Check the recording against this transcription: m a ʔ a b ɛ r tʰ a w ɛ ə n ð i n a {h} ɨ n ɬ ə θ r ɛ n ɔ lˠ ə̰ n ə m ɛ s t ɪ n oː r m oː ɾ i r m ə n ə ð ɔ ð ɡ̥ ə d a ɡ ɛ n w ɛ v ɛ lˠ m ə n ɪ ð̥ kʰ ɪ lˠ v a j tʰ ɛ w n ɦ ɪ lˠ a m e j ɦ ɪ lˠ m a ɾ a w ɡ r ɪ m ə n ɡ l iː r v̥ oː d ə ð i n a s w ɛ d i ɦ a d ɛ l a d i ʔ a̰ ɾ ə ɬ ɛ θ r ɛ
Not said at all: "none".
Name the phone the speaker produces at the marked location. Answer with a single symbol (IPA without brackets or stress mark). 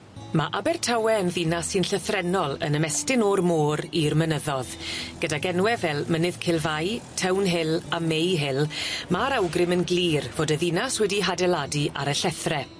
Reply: s